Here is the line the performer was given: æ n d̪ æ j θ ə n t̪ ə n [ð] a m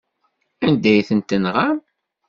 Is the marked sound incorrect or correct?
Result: incorrect